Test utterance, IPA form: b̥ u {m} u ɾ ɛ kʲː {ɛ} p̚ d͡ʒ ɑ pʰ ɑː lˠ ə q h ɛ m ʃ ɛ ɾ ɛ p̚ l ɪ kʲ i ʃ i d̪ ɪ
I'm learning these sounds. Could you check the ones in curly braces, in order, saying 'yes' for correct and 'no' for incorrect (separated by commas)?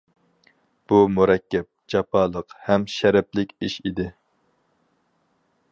yes, yes